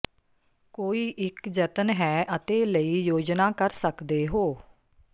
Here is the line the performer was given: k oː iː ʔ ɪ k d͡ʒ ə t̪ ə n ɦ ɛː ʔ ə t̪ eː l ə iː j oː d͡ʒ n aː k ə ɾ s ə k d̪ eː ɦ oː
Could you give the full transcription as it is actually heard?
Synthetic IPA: k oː iː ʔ ɪ k d͡ʒ ə t̪ ə n ɦ ɛː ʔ ə t̪ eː l ə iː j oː d͡ʒ n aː k ə ɾ s ə k d̪ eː ɦ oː

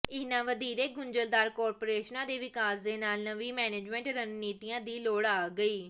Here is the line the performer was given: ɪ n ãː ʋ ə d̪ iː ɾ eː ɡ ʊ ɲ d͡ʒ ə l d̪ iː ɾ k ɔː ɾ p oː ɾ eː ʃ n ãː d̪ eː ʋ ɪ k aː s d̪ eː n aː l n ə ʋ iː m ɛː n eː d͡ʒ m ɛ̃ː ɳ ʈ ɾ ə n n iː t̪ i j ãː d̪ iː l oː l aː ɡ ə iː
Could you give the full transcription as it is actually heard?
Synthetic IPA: ɪ n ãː ʋ ə d̪ iː ɾ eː ɡ ʊ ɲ d͡ʒ ə l d̪ aː ɾ k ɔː ɾ p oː ɾ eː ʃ n ãː d̪ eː ʋ ɪ k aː s d̪ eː n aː l n ə ʋ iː m ɛː n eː d͡ʒ m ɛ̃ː ɳ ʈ ɾ ə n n iː t̪ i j ãː d̪ iː l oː ɽ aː ɡ ə iː

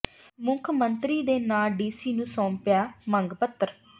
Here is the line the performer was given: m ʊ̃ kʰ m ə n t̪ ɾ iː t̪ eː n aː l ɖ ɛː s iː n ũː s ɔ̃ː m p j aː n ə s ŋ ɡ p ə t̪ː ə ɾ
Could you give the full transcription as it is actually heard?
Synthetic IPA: m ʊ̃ kʰ m ə n t̪ ɾ iː d̪ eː n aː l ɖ iː s iː n ũː s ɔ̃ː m p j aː m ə ŋ ɡ p ə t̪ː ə ɾ

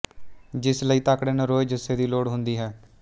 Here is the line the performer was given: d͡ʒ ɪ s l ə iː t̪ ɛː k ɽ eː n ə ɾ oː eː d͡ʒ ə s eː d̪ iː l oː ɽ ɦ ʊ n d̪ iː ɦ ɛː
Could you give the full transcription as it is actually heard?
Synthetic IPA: d͡ʒ ɪ s l ə iː t̪ aː k ɽ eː n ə ɾ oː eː d͡ʒ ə s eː d̪ iː l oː ɽ ɦ ʊ n d̪ iː ɦ ɛː

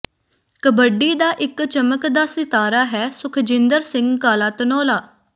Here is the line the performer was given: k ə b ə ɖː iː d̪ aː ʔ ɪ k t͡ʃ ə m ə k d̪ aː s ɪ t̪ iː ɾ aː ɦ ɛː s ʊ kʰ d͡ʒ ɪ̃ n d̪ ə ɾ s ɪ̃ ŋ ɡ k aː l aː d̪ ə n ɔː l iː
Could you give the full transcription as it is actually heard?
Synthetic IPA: k ə b ə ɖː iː d̪ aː ʔ ɪ k t͡ʃ ə m ə k d̪ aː s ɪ t̪ aː ɾ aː ɦ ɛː s ʊ kʰ d͡ʒ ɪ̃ n d̪ ə ɾ s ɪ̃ ŋ ɡ k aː l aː t̪ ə n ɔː l aː

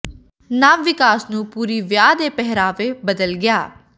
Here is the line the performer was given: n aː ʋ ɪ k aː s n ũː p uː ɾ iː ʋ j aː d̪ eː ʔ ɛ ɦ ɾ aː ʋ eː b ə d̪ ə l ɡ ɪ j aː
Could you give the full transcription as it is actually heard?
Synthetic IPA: n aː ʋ ɪ k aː s n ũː p uː ɾ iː ʋ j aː d̪ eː p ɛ ɦ ɾ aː ʋ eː b ə d̪ ə l ɡ ɪ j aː

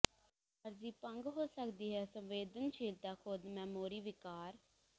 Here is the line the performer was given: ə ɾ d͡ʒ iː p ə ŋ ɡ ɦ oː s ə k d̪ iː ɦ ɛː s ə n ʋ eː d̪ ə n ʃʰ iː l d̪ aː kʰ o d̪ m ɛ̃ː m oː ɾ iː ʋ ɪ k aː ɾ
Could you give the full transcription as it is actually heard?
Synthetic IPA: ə ɾ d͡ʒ iː p ə ŋ ɡ ɦ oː s ə k d̪ iː ɦ ɛː s ə m ʋ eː d̪ ə n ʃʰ iː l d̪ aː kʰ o d̪ m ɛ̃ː m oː ɾ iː ʋ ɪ k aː ɾ

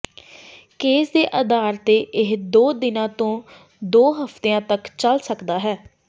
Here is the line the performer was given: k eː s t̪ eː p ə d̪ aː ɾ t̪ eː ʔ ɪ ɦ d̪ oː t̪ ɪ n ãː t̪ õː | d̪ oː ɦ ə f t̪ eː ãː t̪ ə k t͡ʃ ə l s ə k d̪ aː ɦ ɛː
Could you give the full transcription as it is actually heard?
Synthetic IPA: k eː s d̪ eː ʔ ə d̪ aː ɾ t̪ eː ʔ ɪ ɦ d̪ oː d̪ ɪ n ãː t̪ õː | d̪ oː ɦ ə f t̪ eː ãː t̪ ə k t͡ʃ ə l s ə k d̪ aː ɦ ɛː

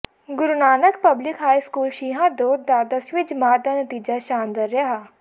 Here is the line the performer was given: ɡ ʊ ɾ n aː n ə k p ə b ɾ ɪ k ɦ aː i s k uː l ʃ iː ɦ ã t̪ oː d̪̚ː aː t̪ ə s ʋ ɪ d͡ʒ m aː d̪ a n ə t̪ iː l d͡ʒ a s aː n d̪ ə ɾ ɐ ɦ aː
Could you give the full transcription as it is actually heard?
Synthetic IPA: ɡ ʊ ɾ n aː n ə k p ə b l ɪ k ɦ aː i s k uː l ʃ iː ɦ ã d̪ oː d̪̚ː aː d̪ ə s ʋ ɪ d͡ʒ m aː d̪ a n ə t̪ iː d͡ʒ a ʃ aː n d̪ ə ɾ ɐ ɦ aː

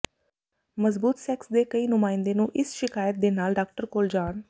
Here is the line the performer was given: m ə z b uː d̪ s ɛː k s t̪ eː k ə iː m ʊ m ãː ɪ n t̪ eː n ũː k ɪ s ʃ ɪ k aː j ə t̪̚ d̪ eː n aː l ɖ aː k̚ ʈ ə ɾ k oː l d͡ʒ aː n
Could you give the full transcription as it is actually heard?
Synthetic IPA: m ə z b uː t̪ s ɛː k s d̪ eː k ə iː n ʊ m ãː ɪ n d̪ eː n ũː ʔ ɪ s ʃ ɪ k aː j ə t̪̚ d̪ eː n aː l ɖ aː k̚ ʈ ə ɾ k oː l d͡ʒ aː n

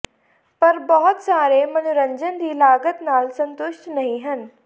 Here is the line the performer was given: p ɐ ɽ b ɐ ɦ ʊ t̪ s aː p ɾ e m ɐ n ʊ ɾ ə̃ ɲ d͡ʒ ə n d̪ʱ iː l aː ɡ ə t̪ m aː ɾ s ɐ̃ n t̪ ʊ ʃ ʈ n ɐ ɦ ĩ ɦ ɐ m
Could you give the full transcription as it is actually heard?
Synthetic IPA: p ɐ ɾ b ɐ ɦ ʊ t̪ s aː ɾ e m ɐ n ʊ ɾ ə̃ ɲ d͡ʒ ə n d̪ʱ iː l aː ɡ ə t̪ n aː l s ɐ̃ n t̪ ʊ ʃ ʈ n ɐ ɦ ĩ ɦ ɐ n

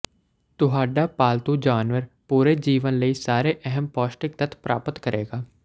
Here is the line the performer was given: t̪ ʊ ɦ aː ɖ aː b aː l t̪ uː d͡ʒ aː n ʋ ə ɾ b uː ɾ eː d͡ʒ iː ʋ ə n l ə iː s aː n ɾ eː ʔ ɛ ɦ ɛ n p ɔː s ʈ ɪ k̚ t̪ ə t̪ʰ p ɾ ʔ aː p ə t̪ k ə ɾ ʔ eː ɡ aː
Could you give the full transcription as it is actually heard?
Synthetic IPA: t̪ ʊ ɦ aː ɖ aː p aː l t̪ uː d͡ʒ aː n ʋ ə ɾ p uː ɾ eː d͡ʒ iː ʋ ə n l ə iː s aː ɾ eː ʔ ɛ ɦ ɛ m p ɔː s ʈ ɪ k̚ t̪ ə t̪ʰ p ɾ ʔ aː p ə t̪ k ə ɾ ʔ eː ɡ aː

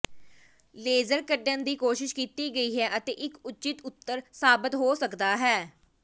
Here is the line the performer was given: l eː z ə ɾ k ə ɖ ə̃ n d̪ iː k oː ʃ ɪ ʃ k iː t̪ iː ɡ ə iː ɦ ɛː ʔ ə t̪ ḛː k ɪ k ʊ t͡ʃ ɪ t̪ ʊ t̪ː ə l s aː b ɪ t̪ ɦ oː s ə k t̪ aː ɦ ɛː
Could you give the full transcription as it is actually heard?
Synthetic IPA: l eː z ə ɾ k ə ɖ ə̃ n d̪ iː k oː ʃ ɪ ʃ k iː t̪ iː ɡ ə iː ɦ ɛː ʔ ə t̪ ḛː ʔ ɪ k ʊ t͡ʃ ɪ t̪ ʊ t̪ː ə ɾ s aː b ɪ t̪ ɦ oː s ə k d̪ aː ɦ ɛː

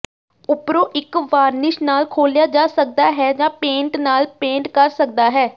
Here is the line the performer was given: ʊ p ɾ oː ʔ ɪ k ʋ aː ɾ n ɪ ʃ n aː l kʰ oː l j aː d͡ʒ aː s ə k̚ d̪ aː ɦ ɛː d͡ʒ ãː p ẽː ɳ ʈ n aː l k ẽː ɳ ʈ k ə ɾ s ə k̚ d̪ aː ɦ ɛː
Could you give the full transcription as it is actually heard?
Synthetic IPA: ʊ p ɾ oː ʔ ɪ k ʋ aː ɾ n ɪ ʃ n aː l kʰ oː l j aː d͡ʒ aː s ə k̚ d̪ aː ɦ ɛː d͡ʒ ãː p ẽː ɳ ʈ n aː l p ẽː ɳ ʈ k ə ɾ s ə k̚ d̪ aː ɦ ɛː

